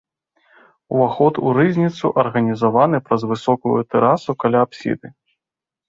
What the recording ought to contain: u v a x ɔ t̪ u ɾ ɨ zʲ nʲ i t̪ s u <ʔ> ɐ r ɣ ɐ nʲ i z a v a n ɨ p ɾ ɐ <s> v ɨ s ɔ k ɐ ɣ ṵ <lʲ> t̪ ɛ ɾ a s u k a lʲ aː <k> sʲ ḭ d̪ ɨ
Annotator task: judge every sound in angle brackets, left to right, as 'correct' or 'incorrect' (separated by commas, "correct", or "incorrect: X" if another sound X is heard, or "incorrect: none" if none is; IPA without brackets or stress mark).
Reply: correct, incorrect: z, incorrect: none, incorrect: p